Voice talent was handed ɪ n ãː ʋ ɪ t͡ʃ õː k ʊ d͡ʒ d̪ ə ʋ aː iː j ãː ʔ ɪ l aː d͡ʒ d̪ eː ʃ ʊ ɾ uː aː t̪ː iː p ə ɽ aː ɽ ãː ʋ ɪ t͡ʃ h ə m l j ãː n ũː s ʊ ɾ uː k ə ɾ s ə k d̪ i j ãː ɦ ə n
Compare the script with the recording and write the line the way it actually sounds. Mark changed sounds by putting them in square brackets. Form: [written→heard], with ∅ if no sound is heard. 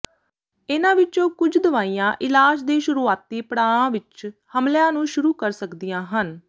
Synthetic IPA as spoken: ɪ n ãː ʋ ɪ t͡ʃ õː k ʊ d͡ʒ d̪ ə ʋ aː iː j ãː ʔ ɪ l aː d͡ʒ d̪ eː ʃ ʊ ɾ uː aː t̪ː iː p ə ɽ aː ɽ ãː ʋ ɪ t͡ʃ h ə m l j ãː n ũː [s→ʃ] ʊ ɾ uː k ə ɾ s ə k d̪ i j ãː ɦ ə n